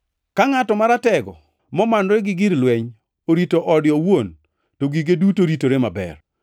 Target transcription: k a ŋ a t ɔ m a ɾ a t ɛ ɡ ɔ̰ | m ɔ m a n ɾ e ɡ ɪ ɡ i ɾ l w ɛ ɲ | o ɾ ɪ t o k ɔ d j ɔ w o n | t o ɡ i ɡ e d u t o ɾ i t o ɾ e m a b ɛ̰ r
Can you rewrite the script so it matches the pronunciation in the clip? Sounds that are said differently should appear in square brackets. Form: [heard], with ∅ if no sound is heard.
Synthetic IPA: k a ŋ a t ɔ m a ɾ a t ɛ ɡ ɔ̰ | m ɔ m a n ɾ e ɡ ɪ ɡ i ɾ l w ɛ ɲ | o ɾ [i] t o [ʔ] ɔ d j ɔ w o n | t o ɡ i ɡ e d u t o ɾ i t o ɾ e m a b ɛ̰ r

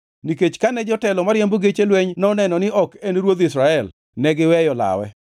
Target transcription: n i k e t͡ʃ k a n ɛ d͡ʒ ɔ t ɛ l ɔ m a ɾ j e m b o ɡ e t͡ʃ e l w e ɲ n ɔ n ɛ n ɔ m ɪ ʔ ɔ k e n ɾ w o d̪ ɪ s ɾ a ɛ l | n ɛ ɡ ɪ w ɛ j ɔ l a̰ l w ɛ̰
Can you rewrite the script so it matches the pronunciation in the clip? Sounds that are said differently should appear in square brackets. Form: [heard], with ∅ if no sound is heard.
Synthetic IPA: n i k e t͡ʃ k a n ɛ d͡ʒ ɔ t ɛ l ɔ m a ɾ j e m b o ɡ e t͡ʃ e l w e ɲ n ɔ n ɛ n ɔ [n] ɪ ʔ ɔ k e n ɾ w o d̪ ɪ s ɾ a ɛ l | n ɛ ɡ ɪ w ɛ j ɔ l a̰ [∅] w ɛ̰

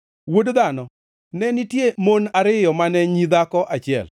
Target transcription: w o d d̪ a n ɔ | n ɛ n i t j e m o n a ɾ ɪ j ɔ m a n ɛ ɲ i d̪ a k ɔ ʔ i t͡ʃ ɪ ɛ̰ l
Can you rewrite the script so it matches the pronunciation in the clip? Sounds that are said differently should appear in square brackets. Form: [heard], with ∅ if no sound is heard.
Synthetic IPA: w o d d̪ a n ɔ | n ɛ n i t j e m o n a ɾ ɪ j ɔ m a n ɛ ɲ i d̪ a k ɔ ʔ [a] t͡ʃ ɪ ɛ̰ l

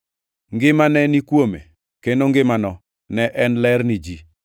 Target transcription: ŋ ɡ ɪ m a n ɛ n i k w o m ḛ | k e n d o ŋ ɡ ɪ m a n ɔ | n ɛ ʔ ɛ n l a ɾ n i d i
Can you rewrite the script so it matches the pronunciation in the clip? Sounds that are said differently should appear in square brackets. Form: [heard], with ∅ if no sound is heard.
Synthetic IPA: ŋ ɡ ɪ m a n ɛ n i k w o m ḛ | k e n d o ŋ ɡ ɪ m a n ɔ | n ɛ ʔ ɛ n l [ɛ] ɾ n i [d͡ʒ] i

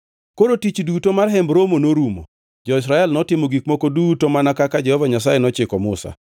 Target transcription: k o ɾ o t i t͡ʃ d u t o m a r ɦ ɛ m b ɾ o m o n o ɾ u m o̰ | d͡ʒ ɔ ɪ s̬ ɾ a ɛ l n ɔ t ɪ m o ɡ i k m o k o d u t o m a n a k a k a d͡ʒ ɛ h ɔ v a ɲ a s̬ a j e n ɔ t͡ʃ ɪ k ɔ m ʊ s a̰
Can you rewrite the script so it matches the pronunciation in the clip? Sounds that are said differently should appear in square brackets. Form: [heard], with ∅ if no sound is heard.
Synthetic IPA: k o ɾ o t i t͡ʃ d u t o m a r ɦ ɛ m b ɾ o m o n o ɾ u m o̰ | d͡ʒ ɔ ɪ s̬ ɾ a ɛ l n ɔ t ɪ m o ɡ i k m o k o d u t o m a n a k a k a d͡ʒ ɛ h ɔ v a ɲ a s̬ a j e n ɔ t͡ʃ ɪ k ɔ m ʊ s a̰

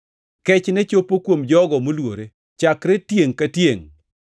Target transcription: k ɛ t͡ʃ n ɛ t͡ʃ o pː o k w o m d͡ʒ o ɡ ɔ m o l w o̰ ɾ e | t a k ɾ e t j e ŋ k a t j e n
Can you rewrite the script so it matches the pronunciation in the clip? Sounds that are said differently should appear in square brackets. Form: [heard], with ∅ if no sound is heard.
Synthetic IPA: k ɛ t͡ʃ n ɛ t͡ʃ o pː o k w o m d͡ʒ [ɔ] ɡ ɔ m o l w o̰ ɾ e | [t͡ʃ] a k ɾ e t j e ŋ k a t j e [ŋ]

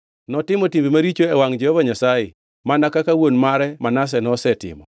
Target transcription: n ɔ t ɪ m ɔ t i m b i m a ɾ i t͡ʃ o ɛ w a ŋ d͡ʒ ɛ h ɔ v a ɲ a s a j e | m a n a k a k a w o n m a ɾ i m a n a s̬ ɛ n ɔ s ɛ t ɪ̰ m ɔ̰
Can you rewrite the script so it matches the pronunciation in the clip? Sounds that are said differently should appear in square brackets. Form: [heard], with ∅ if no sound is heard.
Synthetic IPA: n ɔ t ɪ m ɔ t i m b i m a ɾ i t͡ʃ o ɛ w a ŋ d͡ʒ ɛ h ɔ v a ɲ a s a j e | m a n a k a k a w o n m a ɾ [ɛ] m a n a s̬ ɛ n ɔ s ɛ t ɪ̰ m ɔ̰

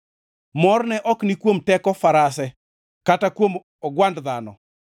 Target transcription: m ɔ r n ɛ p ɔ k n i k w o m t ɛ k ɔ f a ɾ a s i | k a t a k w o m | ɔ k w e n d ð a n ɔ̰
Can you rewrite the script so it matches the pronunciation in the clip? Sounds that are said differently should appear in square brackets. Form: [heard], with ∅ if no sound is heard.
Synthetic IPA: m ɔ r n ɛ [ʔ] ɔ k n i k w o m t ɛ k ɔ f a ɾ a s [ɛ] | k a t a k w o m | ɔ [ɡ] w [a] n d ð a n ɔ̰

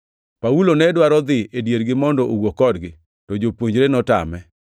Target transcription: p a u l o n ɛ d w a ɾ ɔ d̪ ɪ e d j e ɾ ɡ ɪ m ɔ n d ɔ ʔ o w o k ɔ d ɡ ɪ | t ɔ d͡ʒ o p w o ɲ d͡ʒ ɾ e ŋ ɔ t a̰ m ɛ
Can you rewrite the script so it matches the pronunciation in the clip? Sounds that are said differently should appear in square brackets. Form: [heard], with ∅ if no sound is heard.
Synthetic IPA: p a u l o n ɛ d w a ɾ ɔ d̪ ɪ e d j e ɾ ɡ ɪ m ɔ n d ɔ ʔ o w o k ɔ d ɡ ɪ | t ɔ d͡ʒ o p w o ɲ d͡ʒ ɾ e [n] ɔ t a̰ m ɛ

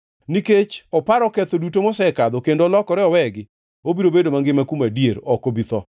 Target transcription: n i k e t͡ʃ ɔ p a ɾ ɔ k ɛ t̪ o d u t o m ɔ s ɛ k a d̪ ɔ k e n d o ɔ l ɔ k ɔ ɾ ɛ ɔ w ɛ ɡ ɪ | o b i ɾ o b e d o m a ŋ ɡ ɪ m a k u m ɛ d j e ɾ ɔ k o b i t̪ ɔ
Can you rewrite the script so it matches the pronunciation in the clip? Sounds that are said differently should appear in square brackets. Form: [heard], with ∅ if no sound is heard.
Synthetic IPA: n i k e t͡ʃ ɔ p a ɾ ɔ k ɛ t̪ o d u t o m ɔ s ɛ k a d̪ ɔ k e n d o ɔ l ɔ k ɔ ɾ ɛ ɔ w ɛ ɡ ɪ | o b i ɾ o b e d o m a ŋ ɡ ɪ m a k u m [a] d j e ɾ ɔ k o b i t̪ ɔ

